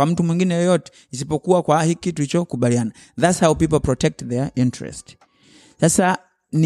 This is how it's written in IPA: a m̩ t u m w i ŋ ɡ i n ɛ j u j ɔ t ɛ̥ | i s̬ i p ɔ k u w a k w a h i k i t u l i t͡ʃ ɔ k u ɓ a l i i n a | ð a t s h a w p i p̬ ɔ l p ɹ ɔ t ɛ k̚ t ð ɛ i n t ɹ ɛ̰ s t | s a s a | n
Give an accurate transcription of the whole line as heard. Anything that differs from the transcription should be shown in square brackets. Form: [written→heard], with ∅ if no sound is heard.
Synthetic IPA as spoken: a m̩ t u m w i ŋ ɡ i n ɛ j [u→ɔ] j ɔ t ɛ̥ | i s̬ i p ɔ k u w a k w a h i k i t u l i t͡ʃ ɔ k u ɓ a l i [i→a] n a | ð a t s h a w p i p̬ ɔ l p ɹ ɔ t ɛ k̚ t ð ɛ i n t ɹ ɛ̰ s t | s a s a | n